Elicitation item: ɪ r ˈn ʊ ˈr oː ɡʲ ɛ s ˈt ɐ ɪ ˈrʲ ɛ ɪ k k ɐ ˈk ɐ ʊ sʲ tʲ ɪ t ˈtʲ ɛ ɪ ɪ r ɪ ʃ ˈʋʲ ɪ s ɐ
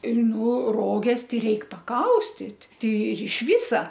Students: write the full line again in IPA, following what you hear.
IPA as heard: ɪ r ˈn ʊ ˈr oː ɡʲ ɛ s ˈt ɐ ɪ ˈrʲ ɛ ɪ k p ɐ ˈk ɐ ʊ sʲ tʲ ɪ t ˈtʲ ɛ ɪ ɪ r ɪ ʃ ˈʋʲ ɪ s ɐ